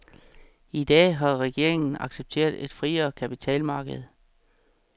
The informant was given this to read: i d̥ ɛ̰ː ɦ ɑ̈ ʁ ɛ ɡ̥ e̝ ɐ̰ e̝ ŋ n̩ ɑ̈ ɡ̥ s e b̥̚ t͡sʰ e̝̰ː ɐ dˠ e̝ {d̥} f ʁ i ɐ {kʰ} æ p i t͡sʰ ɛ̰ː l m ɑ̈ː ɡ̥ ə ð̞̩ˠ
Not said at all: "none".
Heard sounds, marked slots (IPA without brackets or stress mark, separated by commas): d̥, kʰ